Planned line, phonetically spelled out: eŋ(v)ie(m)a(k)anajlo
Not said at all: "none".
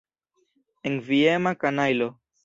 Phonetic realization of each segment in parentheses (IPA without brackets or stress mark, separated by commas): v, m, k